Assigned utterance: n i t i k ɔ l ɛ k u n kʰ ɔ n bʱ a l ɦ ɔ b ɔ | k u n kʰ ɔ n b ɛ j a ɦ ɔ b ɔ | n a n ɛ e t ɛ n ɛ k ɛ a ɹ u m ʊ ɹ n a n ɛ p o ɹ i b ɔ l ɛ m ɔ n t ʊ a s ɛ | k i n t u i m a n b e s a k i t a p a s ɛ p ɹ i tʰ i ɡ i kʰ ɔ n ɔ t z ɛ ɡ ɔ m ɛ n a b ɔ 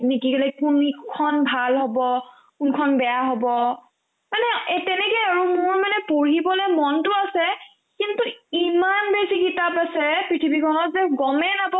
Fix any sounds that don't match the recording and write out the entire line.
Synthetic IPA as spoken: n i k i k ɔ l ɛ k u n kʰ ɔ n bʱ a l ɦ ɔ b ɔ | k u n kʰ ɔ n b ɛ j a ɦ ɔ b ɔ | m a n ɛ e t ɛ n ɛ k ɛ a ɹ u m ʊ ɹ m a n ɛ p o ɹ i b ɔ l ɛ m ɔ n t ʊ a s ɛ | k i n t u i m a n b e s i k i t a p a s ɛ p ɹ i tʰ i b i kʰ ɔ n ɔ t z ɛ ɡ ɔ m ɛ n a b ɔ